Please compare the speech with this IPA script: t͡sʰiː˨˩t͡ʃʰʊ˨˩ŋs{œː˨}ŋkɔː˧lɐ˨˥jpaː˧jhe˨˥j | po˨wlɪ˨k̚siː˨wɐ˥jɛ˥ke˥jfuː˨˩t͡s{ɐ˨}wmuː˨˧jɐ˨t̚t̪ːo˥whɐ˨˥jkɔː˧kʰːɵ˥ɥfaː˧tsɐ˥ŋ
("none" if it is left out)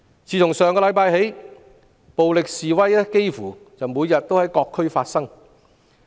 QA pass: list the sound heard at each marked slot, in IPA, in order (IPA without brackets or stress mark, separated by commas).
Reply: œː˨, ɐ˨